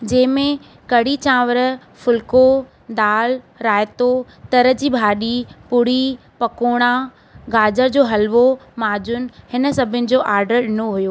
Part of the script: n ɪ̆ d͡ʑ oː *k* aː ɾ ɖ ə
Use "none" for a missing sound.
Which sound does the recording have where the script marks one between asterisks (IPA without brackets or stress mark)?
ʔ